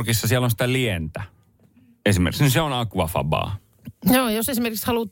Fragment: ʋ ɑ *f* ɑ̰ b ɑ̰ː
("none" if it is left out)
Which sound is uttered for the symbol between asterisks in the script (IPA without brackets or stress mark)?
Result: f